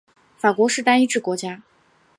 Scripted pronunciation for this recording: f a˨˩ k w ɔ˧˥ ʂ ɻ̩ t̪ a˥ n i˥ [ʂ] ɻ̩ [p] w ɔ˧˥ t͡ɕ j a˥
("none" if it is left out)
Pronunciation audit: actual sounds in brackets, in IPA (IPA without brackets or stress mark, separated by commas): ʈ͡ʂ, k